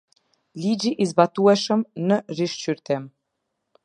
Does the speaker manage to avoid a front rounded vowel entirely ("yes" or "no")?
no